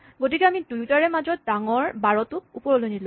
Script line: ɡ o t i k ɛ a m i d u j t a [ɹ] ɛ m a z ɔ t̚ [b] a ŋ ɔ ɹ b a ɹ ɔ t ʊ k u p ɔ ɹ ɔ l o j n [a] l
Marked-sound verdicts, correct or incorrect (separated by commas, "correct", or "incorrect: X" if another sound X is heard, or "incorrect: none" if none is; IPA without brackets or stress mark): correct, incorrect: d, incorrect: i